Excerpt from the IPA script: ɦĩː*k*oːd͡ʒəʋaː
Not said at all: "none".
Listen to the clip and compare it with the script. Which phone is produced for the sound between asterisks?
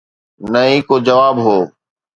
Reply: k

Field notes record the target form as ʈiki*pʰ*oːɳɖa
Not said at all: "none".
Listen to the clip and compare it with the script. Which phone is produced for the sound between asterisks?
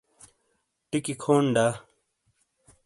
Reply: kʰ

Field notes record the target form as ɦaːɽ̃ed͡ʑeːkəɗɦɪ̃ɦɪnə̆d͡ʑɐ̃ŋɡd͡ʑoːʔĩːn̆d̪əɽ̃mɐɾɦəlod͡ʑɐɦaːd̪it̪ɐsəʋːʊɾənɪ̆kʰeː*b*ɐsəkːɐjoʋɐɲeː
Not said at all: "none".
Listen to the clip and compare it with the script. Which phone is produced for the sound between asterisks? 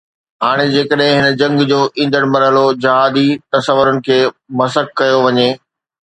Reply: m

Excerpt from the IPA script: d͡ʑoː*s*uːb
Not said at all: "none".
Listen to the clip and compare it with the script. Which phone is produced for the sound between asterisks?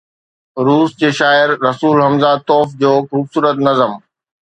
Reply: x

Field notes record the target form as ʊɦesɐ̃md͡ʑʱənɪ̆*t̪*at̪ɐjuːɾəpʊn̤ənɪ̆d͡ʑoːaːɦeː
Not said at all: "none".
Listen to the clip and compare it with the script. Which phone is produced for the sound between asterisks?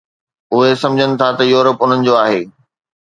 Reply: t̪ʰ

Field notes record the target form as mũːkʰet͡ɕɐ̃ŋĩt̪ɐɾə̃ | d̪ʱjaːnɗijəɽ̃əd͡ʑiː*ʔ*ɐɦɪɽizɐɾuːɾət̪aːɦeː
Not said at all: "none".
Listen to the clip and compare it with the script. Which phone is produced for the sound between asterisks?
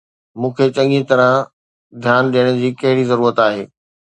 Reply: k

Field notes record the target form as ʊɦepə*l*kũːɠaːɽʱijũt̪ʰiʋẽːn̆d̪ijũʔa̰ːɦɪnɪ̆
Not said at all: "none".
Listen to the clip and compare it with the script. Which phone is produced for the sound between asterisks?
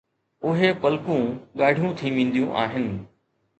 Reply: l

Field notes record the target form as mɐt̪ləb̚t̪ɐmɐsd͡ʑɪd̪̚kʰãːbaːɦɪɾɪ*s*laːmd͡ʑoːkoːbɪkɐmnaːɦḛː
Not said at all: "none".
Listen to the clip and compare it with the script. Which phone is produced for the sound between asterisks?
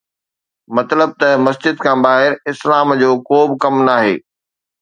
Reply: s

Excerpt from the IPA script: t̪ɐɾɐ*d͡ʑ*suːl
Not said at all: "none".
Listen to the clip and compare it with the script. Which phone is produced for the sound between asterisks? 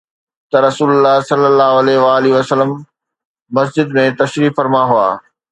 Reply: none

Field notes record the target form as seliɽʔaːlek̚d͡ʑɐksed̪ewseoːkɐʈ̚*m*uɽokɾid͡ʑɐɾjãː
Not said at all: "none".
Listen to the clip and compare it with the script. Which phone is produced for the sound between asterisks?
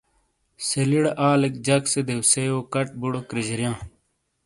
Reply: b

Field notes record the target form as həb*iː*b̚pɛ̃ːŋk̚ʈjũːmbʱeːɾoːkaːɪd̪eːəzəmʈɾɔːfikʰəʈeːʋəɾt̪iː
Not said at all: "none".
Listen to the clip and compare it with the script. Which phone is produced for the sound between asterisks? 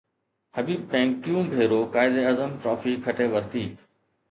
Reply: iː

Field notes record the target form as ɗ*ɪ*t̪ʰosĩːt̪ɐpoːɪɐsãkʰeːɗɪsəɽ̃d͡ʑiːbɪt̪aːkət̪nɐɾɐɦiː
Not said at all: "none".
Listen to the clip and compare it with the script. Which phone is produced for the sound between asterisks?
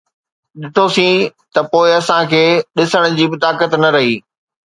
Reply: ɪ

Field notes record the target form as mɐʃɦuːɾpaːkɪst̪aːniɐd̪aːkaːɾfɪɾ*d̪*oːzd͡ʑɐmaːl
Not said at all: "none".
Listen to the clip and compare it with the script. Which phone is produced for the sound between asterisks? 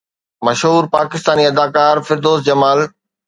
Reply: d̪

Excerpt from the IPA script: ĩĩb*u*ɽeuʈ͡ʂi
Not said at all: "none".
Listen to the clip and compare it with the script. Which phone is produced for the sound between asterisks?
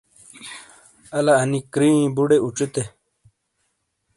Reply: u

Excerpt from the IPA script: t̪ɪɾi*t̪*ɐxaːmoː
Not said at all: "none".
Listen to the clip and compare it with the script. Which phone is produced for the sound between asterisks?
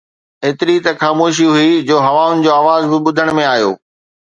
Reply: t̪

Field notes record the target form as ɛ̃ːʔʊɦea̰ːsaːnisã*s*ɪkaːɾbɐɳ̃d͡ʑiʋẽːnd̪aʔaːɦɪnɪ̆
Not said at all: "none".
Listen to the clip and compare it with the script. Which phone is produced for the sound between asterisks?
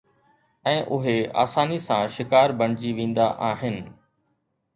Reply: ʃ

